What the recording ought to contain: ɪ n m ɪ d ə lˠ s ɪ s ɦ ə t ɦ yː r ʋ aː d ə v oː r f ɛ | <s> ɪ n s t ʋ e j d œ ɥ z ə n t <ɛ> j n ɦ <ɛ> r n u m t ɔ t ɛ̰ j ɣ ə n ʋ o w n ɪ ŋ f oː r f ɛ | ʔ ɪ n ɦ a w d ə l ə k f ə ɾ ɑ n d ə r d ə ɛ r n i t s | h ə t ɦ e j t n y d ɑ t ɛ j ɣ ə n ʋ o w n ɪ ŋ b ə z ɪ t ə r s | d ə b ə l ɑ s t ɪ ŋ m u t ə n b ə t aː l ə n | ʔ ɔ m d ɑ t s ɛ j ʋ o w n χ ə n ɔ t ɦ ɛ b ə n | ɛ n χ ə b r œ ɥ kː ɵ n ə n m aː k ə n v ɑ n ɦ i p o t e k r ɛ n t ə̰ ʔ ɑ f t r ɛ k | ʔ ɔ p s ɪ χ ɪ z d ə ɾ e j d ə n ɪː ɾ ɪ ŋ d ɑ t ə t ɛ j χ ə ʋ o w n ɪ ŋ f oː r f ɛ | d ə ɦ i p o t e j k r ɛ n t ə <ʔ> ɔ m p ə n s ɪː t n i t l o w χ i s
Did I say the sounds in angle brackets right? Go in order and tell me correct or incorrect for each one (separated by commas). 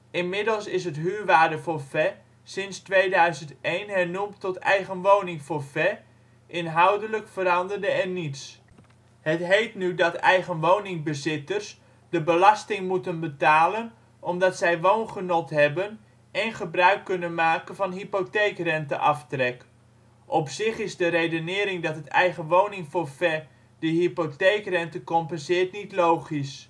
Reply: correct, incorrect, correct, incorrect